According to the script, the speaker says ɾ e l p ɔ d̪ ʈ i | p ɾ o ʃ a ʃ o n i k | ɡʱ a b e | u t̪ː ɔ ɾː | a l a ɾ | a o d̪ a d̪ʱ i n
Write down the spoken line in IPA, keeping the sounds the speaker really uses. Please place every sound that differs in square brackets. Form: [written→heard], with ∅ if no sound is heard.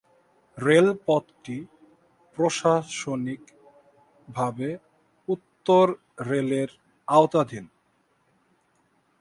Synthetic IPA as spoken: ɾ e l p ɔ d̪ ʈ i | p ɾ o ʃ a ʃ o n i k | [ɡʱ→bʱ] a b e | u t̪ː [ɔ→o] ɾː | [a→e] l [a→e] ɾ | a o [d̪→t̪] a d̪ʱ i n